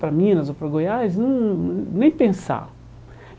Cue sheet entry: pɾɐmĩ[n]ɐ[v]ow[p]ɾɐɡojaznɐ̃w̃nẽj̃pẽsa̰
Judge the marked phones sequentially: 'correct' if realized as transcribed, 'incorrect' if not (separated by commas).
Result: correct, incorrect, correct